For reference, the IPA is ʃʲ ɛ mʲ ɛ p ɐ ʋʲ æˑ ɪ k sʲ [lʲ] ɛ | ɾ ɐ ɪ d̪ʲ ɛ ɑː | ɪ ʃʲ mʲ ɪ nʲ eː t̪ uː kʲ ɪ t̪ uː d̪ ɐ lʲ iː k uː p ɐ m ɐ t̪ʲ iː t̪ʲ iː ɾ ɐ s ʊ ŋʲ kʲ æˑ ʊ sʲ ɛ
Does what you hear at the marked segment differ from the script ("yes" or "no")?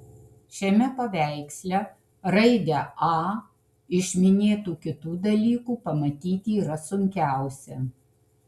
no